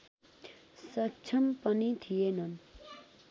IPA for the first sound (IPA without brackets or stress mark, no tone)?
s